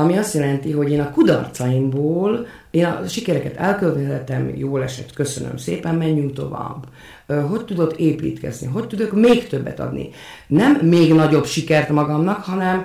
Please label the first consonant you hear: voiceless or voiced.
voiced